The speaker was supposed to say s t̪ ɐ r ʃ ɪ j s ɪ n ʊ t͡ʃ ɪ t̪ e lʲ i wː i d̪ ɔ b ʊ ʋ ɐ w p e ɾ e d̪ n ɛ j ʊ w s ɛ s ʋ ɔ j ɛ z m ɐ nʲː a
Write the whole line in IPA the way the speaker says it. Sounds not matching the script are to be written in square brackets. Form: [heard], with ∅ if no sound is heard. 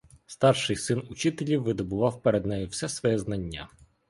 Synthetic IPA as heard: s t̪ [ɑ] r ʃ ɪ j s ɪ n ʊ t͡ʃ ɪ t̪ e lʲ i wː [ɪ] d̪ ɔ b ʊ ʋ [ɑ] w p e ɾ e d̪ n ɛ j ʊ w s ɛ s ʋ ɔ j ɛ z [n] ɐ nʲː a